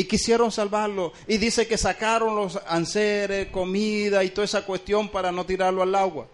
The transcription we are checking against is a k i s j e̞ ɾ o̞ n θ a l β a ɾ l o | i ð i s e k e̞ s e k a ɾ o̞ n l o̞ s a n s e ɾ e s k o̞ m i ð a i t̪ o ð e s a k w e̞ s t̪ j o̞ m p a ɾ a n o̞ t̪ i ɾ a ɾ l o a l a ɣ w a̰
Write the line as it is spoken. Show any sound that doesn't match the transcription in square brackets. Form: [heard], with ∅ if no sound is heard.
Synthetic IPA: [i] k i s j e̞ ɾ o̞ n [s] a l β a ɾ l o | i ð i s e k e̞ s [a] k a ɾ o̞ n l o̞ s a n s e ɾ e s k o̞ m i ð a i t̪ o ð e s a k w e̞ s t̪ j o̞ m p a ɾ a n o̞ t̪ i ɾ a ɾ l o a l a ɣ w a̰